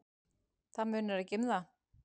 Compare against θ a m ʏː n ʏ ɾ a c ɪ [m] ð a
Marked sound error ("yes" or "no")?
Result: no